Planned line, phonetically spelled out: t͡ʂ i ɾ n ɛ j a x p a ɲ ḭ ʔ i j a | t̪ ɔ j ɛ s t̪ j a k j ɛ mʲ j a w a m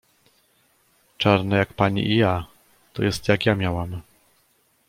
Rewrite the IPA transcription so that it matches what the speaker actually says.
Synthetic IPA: t͡ʂ a ɾ n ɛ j a k p a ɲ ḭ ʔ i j a | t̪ ɔ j ɛ s t̪ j a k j a mʲ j a w a m

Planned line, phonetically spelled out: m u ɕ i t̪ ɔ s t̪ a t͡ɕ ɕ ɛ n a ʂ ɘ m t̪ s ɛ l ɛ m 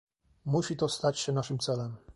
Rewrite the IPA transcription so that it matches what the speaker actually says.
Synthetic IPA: m u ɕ i t̪ ɔ s t̪ a t͡ɕ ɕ ɛ n a ʂ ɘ m t̪ s ɛ l ɛ m

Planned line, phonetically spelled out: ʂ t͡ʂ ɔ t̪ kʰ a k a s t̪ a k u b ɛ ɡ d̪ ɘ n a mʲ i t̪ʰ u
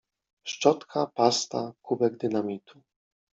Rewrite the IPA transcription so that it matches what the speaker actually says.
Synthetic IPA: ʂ t͡ʂ ɔ t̪ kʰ a p a s t̪ a k u b ɛ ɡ d̪ ɘ n a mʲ i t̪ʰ u

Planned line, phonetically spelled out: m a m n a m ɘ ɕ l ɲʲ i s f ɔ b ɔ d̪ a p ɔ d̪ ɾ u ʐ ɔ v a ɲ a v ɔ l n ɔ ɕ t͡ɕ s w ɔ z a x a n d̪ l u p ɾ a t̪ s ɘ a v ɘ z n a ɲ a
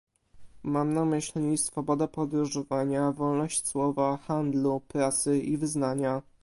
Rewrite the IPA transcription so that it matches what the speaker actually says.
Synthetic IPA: m a m n a m ɘ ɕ l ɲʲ i s f ɔ b ɔ d̪ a p ɔ d̪ ɾ u ʐ ɔ v a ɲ a v ɔ l n ɔ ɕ t͡ɕ s w ɔ v a x a n d̪ l u p ɾ a t̪ s ɘ i v ɘ z n a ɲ a

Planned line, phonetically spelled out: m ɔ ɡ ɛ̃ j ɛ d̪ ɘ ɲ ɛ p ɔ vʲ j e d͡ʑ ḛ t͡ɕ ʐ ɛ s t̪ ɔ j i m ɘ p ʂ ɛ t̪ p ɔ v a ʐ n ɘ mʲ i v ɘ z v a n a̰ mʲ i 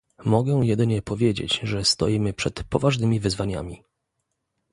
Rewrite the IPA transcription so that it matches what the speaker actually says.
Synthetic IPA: m ɔ ɡ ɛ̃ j ɛ d̪ ɘ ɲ ɛ p ɔ vʲ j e d͡ʑ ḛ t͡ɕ ʐ ɛ s t̪ ɔ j i m ɘ p ʂ ɛ t̪ p ɔ v a ʐ n ɘ mʲ i v ɘ z v a ɲ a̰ mʲ i

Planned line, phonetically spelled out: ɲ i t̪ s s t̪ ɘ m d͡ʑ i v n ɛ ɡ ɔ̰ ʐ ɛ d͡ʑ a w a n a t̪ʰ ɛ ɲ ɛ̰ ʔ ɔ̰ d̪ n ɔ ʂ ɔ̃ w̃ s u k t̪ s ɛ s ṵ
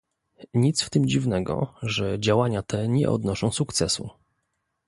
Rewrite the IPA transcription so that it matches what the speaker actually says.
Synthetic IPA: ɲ i t̪ s f t̪ ɘ m d͡ʑ i v n ɛ ɡ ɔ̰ ʐ ɛ d͡ʑ a w a ɲ a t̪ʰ ɛ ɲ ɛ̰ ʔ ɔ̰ d̪ n ɔ ʂ ɔ̃ w̃ s u k t̪ s ɛ s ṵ

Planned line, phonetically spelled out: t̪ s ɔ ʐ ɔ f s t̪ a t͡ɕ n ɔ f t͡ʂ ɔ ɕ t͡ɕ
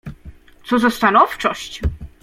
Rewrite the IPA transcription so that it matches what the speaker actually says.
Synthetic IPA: t̪ s ɔ z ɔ s t̪ a n ɔ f t͡ʂ ɔ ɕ t͡ɕ

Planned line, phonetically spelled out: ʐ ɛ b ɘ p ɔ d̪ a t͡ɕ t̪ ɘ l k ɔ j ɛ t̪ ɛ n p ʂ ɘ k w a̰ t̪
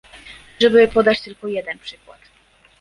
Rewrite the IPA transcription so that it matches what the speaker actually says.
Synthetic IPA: ʐ ɛ b ɘ p ɔ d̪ a t͡ɕ t̪ ɘ l k ɔ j ɛ d̪ ɛ n p ʂ ɘ k w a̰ t̪

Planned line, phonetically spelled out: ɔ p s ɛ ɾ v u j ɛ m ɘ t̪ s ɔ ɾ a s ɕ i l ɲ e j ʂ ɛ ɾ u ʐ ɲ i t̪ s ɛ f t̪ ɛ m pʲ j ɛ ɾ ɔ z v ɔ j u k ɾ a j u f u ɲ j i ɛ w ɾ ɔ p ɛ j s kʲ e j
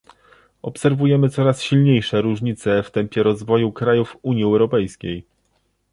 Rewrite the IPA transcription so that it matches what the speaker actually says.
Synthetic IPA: ɔ p s ɛ ɾ v u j ɛ m ɘ t̪ s ɔ ɾ a s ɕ i l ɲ e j ʂ ɛ ɾ u ʐ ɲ i t̪ s ɛ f t̪ ɛ m pʲ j ɛ ɾ ɔ z v ɔ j u k ɾ a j u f u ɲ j i ɛ w ɾ ɔ p ɛ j s kʲ e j

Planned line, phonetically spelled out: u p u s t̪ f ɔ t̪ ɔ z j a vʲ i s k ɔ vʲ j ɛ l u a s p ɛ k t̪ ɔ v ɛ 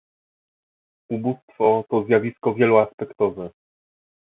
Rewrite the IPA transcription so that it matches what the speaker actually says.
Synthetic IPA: u b u s t̪ f ɔ t̪ ɔ z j a vʲ i s k ɔ vʲ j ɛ l u a s p ɛ k t̪ ɔ v ɛ

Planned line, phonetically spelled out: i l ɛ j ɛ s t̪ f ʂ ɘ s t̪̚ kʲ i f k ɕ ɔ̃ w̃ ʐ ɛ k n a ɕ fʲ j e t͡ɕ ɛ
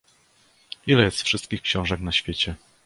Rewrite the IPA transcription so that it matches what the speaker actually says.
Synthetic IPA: i l ɛ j ɛ s t̪ f ʂ ɘ s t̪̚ kʲ i x k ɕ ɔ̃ w̃ ʐ ɛ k n a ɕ fʲ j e t͡ɕ ɛ

